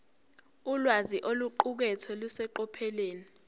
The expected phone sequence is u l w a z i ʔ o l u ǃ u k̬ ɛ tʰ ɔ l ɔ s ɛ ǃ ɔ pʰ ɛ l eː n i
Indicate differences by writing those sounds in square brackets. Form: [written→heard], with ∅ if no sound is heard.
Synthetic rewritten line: u l w a z i ʔ o l u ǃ u k̬ ɛ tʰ ɔ l [ɔ→u] s ɛ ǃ ɔ pʰ ɛ l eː n i